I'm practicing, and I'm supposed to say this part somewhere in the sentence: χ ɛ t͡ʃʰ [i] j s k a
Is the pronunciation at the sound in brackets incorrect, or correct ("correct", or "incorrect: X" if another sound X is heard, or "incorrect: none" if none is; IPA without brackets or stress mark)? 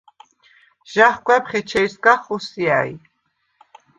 incorrect: ɛ